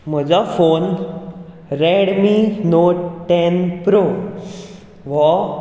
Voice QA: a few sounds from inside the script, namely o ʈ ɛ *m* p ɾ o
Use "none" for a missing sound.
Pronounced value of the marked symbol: n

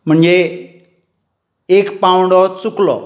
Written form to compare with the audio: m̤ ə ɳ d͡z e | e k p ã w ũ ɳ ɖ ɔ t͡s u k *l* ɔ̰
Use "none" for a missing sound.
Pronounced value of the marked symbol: l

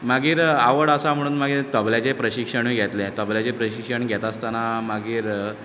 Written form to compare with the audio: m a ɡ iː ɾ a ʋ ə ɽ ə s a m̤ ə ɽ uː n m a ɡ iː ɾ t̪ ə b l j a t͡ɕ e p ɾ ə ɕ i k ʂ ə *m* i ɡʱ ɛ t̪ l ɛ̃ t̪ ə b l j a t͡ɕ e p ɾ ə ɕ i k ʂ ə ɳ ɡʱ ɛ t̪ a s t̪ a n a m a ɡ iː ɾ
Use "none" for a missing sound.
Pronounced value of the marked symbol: ɳ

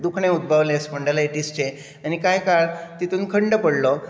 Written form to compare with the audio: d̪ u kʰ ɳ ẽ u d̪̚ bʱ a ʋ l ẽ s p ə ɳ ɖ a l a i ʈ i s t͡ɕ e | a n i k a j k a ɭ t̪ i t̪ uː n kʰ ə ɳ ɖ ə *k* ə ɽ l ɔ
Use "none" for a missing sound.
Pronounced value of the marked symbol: p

